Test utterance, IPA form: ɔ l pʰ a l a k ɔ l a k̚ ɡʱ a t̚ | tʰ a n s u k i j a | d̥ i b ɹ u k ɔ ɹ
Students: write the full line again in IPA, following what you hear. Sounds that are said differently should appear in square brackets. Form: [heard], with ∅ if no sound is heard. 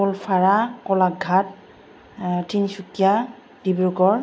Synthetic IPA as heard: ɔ l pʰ a [ɹ] a k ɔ l a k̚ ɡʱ a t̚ | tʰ [i] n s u k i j a | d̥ i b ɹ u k ɔ ɹ